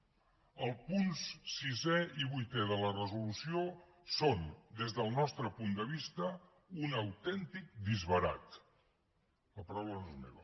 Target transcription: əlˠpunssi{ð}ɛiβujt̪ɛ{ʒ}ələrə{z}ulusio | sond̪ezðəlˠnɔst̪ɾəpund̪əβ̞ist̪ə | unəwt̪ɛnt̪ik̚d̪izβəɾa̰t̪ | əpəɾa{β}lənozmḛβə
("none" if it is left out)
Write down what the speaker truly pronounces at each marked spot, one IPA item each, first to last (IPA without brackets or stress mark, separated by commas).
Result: z, ð, z, w